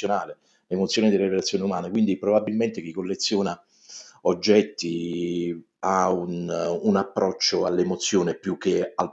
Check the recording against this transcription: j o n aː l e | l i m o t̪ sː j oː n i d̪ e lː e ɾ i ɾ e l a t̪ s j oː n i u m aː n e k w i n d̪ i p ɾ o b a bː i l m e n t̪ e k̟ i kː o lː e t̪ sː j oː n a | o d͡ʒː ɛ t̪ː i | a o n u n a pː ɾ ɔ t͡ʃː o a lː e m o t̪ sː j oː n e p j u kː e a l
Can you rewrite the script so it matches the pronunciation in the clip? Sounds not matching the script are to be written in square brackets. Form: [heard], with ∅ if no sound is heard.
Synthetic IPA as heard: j o n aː l e | l [e] m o t̪ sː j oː n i d̪ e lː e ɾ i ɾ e l a t̪ s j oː n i u m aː n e k w i n d̪ i p ɾ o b a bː i l m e n t̪ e k̟ i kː o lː e t̪ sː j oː n a | o d͡ʒː ɛ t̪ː i | a [u] n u n a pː ɾ ɔ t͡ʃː o a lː e m o t̪ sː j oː n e p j u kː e a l